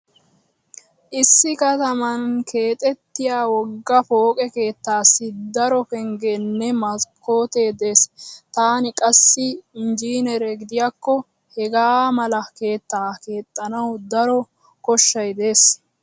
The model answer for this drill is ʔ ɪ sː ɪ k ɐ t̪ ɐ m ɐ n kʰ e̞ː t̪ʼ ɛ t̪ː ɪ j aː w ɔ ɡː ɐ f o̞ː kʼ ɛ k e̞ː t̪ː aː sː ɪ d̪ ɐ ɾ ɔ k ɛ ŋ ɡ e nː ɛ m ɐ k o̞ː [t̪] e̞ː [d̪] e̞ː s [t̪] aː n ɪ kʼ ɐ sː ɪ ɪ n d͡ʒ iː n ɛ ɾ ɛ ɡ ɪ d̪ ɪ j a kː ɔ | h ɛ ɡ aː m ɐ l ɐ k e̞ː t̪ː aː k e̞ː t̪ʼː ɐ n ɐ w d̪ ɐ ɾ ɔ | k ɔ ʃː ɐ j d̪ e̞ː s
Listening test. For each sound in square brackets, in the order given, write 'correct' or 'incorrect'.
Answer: correct, correct, correct

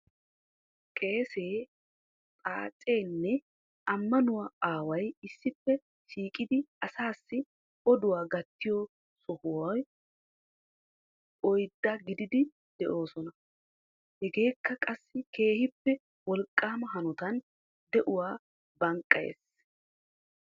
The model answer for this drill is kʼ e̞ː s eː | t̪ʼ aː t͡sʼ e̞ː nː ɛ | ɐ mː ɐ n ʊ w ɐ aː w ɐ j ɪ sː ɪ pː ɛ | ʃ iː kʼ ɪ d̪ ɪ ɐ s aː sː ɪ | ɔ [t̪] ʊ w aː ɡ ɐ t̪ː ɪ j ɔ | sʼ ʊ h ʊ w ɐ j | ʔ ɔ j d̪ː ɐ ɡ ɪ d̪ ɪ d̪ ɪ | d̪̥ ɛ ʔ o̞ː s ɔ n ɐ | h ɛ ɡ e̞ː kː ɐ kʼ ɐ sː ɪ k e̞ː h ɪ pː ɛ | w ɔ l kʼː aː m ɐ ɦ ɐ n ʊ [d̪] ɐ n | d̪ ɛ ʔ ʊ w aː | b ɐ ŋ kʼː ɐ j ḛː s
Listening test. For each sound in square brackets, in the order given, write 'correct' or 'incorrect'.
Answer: incorrect: d̪, incorrect: t̪

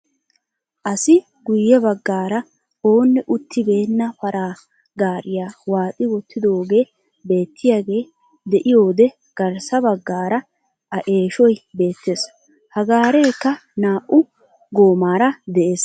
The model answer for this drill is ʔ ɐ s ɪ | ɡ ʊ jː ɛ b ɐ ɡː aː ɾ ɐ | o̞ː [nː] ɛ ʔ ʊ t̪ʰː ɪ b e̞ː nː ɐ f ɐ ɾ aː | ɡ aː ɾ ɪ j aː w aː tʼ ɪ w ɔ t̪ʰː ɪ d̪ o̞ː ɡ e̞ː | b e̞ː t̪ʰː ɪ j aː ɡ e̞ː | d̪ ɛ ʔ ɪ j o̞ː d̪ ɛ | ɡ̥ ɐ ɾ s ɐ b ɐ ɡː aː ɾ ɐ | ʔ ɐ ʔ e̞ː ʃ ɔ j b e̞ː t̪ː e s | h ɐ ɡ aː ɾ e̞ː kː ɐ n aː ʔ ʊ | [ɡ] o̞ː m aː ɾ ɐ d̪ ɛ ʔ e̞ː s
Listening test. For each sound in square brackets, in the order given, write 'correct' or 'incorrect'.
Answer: correct, correct

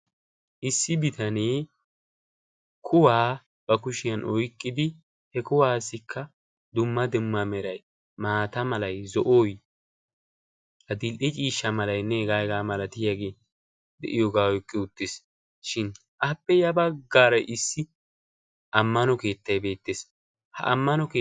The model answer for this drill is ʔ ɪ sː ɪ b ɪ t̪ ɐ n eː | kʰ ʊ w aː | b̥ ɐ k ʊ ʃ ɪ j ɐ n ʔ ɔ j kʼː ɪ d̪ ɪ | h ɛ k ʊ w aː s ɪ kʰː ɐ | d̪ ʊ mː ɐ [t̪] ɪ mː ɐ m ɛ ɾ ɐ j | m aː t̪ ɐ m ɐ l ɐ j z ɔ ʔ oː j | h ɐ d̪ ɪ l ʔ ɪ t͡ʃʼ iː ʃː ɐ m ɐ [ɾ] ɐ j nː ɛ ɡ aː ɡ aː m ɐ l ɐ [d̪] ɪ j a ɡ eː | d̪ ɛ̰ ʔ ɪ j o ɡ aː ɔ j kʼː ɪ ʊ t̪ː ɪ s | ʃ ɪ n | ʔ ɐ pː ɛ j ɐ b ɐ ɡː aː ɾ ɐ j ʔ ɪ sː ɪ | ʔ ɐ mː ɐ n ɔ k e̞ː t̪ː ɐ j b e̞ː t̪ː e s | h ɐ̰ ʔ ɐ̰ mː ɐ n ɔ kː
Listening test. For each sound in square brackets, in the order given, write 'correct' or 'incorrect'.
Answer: incorrect: d̪, incorrect: l, incorrect: t̪

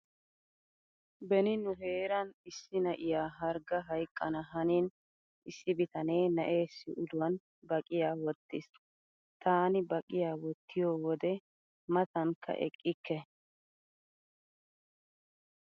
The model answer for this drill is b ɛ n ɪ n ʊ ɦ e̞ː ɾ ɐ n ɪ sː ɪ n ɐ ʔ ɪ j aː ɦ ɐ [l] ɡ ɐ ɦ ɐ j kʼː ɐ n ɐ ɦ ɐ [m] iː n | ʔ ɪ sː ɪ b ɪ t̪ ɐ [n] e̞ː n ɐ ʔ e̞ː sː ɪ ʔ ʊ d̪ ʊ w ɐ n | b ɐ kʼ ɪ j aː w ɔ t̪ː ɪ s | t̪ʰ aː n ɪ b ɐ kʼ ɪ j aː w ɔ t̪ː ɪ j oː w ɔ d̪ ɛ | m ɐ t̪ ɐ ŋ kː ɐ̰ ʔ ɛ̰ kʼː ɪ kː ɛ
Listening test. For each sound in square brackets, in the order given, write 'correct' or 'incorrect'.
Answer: incorrect: ɾ, incorrect: n, correct

